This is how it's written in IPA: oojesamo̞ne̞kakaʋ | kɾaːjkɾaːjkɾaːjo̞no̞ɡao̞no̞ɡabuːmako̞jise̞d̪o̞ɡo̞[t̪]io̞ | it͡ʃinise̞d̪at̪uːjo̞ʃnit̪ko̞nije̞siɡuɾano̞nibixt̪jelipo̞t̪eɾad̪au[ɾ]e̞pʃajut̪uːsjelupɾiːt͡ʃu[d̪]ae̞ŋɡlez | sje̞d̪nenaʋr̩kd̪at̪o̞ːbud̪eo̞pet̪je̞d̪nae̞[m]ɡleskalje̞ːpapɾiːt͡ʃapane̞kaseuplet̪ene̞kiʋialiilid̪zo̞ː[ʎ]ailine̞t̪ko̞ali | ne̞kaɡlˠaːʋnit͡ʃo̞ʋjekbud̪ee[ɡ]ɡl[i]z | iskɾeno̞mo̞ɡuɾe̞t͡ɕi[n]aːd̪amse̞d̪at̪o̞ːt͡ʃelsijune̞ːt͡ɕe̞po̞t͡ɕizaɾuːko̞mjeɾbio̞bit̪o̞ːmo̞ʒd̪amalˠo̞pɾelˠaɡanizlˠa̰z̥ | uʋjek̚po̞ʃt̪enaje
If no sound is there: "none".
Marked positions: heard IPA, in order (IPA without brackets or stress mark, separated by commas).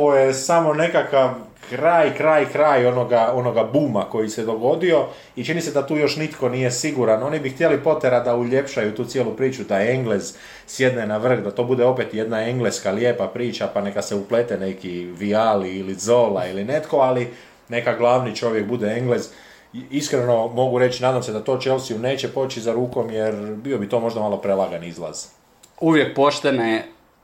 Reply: d̪, ʎ, d̪, ŋ, l, ŋ, e, n